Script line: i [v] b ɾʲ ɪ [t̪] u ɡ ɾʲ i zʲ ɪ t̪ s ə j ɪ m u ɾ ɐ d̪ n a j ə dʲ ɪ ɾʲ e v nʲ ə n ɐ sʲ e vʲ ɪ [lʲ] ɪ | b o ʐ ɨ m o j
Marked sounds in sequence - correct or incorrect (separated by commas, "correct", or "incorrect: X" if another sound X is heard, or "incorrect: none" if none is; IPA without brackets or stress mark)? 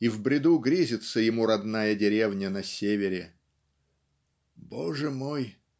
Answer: correct, incorrect: d̪, incorrect: ɾʲ